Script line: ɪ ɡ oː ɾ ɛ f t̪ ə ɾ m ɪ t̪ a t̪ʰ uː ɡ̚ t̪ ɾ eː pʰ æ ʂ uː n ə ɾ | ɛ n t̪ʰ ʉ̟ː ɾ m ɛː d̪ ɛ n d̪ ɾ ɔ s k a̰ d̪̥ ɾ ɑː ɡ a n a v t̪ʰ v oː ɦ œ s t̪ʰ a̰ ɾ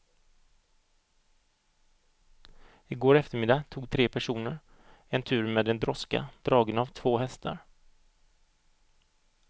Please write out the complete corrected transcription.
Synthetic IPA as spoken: ɪ ɡ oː ɾ ɛ f t̪ ə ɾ m ɪ d̪ a t̪ʰ uː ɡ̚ t̪ʰ ɾ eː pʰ æ ʂ uː n ə ɾ | ɛ n t̪ʰ ʉ̟ː ɾ m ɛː d̪ ɛ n d̪ ɾ ɔ s k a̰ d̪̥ ɾ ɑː ɡ ə n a v t̪ʰ v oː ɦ ɛ s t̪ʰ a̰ ɾ